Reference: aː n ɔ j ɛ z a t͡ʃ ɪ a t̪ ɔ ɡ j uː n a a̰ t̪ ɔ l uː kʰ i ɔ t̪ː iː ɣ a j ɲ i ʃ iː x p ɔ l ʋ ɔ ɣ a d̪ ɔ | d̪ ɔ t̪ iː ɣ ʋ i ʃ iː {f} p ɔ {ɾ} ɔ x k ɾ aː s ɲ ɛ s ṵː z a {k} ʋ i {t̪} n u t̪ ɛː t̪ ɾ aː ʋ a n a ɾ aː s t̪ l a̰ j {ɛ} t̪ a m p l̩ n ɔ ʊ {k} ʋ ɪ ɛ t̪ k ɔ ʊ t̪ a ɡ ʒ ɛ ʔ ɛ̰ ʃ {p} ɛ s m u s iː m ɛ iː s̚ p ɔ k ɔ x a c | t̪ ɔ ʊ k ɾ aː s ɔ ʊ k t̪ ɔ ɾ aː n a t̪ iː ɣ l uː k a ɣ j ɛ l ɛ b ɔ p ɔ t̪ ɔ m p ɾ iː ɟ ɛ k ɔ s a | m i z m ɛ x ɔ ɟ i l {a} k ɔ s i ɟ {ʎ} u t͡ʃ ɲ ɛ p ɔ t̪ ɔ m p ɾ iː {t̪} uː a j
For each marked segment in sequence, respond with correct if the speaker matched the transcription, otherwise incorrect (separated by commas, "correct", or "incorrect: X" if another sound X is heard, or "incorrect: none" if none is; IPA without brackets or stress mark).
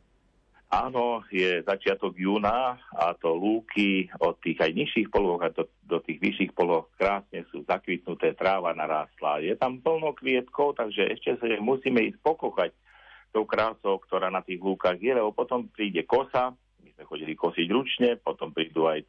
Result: incorrect: x, incorrect: l, correct, correct, correct, correct, incorrect: c, incorrect: i, incorrect: ɾ, incorrect: d̪